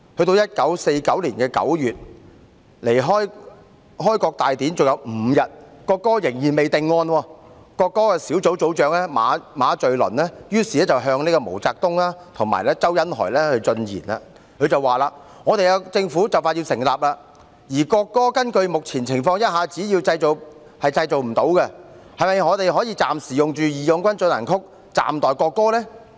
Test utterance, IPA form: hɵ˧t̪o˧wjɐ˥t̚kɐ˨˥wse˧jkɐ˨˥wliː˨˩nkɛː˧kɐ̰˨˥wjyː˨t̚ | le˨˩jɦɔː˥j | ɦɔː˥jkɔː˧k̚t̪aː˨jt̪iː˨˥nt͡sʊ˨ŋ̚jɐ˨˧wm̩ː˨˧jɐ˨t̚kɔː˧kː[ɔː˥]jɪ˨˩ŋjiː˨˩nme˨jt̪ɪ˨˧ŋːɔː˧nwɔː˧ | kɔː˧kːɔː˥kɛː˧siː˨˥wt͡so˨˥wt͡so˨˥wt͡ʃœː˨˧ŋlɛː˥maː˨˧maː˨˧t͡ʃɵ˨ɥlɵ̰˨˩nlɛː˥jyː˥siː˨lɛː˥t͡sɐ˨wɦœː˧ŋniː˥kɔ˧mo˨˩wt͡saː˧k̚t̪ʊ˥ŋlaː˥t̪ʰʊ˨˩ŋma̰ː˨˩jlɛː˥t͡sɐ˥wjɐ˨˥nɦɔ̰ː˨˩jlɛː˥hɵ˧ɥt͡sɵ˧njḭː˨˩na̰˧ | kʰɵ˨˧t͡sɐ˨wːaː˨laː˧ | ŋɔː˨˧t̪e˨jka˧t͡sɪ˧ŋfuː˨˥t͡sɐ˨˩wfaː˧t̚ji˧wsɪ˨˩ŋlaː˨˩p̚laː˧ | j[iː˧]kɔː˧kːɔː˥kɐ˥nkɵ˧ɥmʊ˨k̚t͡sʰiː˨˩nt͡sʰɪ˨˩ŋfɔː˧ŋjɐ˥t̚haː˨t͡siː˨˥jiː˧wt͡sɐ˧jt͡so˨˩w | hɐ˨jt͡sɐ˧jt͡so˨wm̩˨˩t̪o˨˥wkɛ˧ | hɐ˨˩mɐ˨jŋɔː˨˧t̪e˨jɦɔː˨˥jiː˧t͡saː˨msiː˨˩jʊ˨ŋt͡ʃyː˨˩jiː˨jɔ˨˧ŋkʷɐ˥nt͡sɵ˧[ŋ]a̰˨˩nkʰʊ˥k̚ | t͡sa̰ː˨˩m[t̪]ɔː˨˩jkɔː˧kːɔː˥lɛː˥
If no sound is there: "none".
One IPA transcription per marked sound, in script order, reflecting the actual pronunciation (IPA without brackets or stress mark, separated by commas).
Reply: ɔː˥, iː˨˩, n, t̪